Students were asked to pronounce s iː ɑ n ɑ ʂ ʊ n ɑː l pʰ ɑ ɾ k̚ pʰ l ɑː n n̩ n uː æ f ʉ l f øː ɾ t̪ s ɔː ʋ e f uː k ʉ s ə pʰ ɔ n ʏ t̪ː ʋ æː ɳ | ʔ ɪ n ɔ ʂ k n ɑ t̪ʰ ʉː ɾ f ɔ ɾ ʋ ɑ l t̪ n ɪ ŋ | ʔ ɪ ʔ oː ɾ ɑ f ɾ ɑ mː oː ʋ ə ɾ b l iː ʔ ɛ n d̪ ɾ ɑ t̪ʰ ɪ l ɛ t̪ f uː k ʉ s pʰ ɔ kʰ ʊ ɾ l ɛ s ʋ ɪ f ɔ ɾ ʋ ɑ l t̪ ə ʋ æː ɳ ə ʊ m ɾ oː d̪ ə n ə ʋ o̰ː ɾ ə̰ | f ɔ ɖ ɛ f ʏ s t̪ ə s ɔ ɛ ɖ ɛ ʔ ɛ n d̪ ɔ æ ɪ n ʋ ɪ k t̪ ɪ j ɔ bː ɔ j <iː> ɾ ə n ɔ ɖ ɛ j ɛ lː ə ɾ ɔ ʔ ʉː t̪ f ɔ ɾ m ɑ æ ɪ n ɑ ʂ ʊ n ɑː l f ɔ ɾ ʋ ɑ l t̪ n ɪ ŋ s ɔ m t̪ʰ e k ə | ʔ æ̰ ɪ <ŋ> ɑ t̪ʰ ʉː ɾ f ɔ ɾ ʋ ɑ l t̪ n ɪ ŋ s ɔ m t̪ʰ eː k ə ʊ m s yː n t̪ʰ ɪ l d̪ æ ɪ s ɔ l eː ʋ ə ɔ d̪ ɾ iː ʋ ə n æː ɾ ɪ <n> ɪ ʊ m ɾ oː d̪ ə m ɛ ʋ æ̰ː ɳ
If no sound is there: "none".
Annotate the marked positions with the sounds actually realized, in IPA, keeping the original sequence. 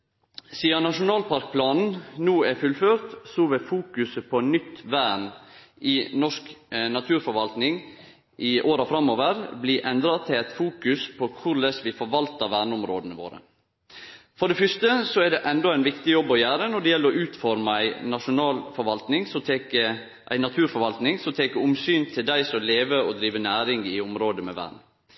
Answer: æː, n, ŋ

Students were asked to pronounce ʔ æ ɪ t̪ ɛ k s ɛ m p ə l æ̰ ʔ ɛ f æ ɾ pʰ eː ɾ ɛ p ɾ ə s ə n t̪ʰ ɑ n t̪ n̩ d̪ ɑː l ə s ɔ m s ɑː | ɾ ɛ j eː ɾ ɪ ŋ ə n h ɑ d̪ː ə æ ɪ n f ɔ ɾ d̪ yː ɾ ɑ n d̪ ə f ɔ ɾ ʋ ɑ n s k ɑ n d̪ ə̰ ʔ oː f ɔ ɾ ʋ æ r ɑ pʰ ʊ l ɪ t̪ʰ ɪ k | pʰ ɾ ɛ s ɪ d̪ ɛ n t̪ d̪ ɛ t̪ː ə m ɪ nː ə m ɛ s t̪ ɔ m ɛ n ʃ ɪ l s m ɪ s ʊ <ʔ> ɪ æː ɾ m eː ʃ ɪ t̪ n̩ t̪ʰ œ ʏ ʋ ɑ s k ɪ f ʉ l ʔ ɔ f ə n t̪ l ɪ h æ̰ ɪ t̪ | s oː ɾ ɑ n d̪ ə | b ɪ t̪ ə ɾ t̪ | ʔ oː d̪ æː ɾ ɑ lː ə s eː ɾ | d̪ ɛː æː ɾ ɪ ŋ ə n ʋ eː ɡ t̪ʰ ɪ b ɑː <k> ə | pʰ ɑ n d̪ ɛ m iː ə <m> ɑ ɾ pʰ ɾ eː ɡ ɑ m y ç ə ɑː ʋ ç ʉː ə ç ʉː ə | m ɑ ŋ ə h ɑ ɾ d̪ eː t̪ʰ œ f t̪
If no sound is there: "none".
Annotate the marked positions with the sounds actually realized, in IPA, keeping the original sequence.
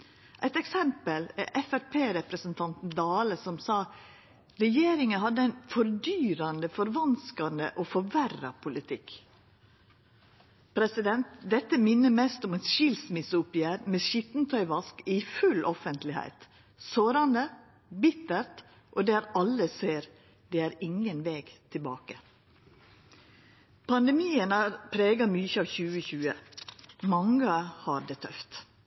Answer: p, k, n

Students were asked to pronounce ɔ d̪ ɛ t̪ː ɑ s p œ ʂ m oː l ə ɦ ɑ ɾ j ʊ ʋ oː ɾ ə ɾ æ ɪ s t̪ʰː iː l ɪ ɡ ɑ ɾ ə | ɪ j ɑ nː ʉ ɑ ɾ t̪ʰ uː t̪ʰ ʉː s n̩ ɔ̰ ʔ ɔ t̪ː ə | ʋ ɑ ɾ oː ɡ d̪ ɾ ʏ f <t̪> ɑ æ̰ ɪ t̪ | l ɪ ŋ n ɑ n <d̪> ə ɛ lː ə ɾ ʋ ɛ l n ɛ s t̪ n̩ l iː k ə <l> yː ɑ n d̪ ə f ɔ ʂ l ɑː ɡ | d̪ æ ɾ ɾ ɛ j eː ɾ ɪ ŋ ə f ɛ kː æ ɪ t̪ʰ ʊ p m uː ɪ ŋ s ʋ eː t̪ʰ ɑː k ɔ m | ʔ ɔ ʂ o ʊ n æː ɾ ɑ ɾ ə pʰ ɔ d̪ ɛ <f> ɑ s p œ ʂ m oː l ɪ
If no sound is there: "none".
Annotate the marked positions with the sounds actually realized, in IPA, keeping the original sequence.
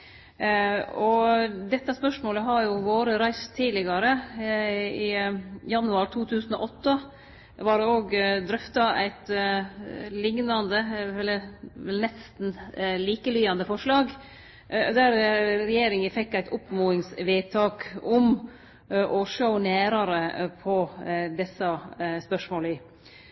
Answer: t̪, d̪, l, s

